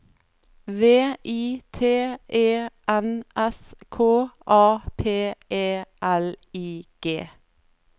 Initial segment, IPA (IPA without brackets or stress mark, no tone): ʋ